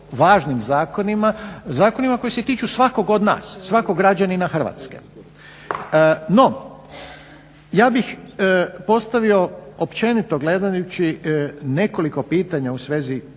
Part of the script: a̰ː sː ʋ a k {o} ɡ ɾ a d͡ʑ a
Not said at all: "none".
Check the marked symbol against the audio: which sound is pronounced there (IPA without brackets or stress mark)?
o